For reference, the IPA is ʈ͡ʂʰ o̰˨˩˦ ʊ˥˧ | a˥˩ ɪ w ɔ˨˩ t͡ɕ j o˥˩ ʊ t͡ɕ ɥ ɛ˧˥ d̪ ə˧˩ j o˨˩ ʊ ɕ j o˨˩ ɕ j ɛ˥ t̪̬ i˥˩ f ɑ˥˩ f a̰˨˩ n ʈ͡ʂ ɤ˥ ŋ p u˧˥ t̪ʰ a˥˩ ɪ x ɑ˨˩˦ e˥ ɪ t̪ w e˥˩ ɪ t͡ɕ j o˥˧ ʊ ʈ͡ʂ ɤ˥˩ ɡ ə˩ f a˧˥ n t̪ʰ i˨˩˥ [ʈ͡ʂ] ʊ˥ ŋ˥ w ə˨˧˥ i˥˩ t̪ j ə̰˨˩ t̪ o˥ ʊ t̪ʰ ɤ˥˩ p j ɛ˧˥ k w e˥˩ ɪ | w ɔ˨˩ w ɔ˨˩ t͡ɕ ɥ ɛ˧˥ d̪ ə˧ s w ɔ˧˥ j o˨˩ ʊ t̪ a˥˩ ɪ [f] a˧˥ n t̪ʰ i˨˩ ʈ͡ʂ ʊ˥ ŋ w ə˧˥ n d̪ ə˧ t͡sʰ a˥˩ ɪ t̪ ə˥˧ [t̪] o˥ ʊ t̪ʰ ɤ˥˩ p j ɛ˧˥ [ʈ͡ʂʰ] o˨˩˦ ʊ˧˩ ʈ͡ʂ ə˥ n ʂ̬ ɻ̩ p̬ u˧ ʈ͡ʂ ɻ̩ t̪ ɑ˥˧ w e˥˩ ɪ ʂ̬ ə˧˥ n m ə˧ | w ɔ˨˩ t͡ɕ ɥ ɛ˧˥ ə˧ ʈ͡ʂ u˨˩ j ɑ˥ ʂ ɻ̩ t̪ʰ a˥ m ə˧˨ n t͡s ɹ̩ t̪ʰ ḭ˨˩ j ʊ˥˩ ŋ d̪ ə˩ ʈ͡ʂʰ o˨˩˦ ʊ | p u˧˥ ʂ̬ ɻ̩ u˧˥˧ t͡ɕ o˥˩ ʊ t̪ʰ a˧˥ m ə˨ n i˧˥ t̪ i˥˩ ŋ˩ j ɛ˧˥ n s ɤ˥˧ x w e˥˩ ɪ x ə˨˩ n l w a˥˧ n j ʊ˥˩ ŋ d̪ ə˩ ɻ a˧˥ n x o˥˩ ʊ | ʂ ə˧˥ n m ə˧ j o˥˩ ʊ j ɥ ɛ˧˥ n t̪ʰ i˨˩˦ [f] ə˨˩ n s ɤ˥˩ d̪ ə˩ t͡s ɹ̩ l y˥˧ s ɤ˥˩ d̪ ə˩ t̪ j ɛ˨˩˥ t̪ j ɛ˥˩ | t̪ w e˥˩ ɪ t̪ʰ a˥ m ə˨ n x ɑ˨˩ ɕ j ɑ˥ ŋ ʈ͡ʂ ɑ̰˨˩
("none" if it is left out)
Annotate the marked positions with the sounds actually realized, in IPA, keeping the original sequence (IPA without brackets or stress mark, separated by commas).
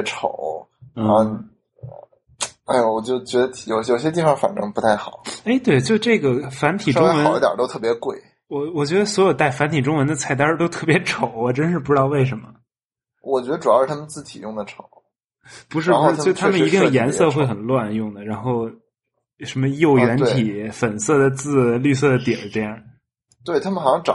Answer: ʈ͡ʂ, f, t̪, ʈ͡ʂʰ, f